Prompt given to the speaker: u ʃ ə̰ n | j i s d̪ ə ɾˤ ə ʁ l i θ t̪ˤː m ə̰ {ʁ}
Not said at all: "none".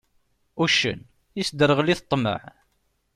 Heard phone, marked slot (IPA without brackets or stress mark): ʕ